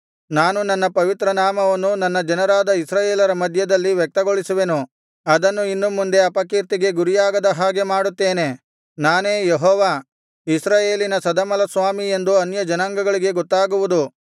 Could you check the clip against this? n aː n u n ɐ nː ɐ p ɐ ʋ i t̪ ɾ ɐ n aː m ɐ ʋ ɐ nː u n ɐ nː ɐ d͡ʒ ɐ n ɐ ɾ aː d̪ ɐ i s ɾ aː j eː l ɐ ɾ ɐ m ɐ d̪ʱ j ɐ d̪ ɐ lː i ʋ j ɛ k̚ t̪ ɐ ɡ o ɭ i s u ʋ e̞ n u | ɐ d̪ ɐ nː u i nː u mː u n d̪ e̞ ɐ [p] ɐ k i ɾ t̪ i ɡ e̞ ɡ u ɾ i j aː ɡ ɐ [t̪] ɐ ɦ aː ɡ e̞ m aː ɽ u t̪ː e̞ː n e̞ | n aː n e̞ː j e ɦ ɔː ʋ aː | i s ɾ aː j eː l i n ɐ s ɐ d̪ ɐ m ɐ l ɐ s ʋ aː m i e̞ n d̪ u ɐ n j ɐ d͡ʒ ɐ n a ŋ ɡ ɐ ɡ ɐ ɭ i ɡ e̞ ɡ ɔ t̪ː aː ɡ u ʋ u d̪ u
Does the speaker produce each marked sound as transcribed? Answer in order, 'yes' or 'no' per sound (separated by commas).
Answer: yes, no